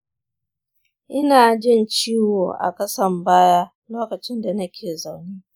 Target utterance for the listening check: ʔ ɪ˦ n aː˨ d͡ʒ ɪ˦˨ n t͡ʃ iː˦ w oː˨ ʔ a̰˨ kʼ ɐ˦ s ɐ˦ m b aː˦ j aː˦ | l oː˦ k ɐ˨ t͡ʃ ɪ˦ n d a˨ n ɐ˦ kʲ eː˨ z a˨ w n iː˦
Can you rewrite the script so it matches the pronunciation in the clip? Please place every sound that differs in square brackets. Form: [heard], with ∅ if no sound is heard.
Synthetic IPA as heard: ʔ ɪ˦ n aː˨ d͡ʒ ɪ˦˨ n t͡ʃ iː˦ w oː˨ ʔ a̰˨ [k] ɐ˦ s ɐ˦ m b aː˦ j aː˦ | l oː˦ k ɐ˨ t͡ʃ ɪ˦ n d a˨ n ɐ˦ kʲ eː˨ z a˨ w n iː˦